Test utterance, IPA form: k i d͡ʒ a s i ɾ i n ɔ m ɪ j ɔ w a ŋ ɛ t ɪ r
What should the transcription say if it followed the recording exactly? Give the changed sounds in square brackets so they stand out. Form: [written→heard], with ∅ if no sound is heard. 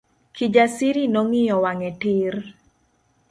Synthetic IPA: k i d͡ʒ a s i ɾ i n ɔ [m→ŋ] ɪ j ɔ w a ŋ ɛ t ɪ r